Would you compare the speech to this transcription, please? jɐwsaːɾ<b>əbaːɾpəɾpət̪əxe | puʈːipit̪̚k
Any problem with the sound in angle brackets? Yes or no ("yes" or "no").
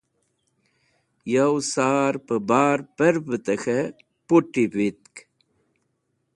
yes